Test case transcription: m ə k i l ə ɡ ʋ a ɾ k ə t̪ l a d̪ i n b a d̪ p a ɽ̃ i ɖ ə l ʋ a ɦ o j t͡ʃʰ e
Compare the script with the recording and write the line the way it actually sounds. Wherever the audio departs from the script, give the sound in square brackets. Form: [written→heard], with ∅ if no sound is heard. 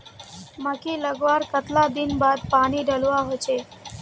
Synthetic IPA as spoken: m ə k i l ə ɡ ʋ a ɾ k ə t̪ l a d̪ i n b a d̪ p a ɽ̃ i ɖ ə l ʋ a ɦ o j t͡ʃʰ e